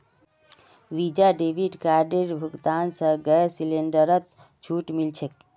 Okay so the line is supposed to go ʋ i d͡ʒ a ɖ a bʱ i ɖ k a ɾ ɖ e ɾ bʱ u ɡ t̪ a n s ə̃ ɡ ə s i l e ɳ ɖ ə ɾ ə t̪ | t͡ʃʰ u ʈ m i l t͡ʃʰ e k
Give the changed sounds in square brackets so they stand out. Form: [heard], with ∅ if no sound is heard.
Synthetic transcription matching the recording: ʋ i d͡ʒ a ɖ [e] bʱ i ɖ k a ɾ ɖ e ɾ bʱ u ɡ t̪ a n s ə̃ ɡ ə s i l e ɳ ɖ ə ɾ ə t̪ | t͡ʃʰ u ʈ m i l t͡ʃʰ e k